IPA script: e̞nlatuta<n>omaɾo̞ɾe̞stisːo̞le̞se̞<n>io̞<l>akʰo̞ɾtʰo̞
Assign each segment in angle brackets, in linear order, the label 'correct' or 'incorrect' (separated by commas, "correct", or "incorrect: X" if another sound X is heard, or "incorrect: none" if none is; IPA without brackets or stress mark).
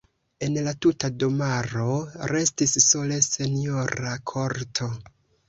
incorrect: d, correct, incorrect: ɾ